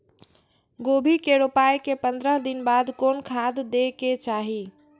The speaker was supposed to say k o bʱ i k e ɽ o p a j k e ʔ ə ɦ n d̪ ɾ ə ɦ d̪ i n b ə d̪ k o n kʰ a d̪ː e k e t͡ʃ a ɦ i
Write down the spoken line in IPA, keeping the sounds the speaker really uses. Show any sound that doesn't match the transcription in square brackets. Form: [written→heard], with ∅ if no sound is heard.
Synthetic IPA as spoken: [k→ɡ] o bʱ i k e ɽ o p a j k e [ʔ→p] ə [ɦ→∅] n d̪ ɾ ə ɦ d̪ i n b [ə→a] d̪ k o n kʰ a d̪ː e k e t͡ʃ a ɦ i